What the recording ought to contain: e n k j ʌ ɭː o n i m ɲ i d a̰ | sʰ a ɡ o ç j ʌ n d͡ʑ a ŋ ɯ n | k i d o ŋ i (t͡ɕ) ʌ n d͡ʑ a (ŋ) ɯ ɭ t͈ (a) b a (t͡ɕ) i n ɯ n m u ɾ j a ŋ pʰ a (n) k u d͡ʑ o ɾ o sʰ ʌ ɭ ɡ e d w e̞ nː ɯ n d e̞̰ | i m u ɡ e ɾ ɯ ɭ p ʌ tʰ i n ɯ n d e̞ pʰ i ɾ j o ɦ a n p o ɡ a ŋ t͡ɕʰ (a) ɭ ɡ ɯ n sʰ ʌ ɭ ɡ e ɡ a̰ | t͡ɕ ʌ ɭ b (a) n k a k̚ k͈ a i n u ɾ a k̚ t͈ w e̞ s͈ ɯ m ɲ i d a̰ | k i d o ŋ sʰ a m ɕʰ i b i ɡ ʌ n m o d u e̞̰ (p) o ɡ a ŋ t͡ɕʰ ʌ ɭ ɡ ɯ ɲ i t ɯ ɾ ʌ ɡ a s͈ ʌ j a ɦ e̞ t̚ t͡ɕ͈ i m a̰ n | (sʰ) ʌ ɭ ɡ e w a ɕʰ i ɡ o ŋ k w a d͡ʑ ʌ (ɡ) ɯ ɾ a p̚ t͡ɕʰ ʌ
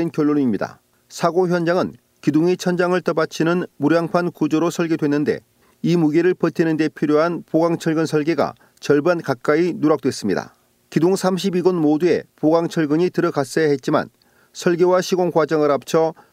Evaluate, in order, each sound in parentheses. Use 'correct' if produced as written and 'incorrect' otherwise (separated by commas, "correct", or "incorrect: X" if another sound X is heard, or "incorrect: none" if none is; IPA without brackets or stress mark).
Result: incorrect: t͡ɕʰ, correct, incorrect: ʌ, incorrect: t͡ɕʰ, correct, incorrect: ʌ, correct, correct, correct, incorrect: ŋ